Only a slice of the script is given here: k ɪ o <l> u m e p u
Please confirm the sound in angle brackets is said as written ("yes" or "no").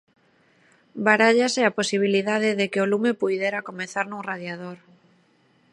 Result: yes